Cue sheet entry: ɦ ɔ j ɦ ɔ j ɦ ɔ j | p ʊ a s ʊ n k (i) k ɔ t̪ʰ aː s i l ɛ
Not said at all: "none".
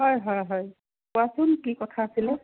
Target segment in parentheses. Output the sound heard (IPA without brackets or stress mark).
i